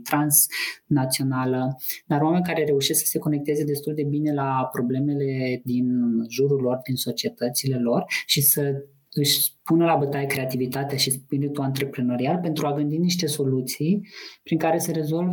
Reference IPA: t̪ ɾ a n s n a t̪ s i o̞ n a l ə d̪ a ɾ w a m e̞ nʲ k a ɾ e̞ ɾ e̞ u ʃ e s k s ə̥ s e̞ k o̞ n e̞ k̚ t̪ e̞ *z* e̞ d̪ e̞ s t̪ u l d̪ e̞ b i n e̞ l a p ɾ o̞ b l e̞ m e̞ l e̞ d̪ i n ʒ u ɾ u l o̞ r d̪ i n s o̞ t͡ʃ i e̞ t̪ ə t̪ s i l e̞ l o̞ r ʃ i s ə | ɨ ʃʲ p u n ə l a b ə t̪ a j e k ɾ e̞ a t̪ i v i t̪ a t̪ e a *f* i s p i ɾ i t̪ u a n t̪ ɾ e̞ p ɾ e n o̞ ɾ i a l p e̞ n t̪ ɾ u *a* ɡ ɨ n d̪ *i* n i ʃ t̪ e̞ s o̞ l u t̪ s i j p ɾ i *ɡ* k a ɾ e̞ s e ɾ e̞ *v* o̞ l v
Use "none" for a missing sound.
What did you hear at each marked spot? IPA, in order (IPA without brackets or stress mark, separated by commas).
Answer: z, ʃ, a, i, ŋ, z